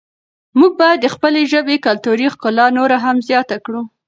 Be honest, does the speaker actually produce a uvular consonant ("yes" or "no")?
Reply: no